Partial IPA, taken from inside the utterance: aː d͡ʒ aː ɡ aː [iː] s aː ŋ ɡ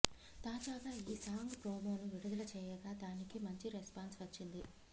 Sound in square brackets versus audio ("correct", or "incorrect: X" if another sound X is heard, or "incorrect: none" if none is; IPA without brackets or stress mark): correct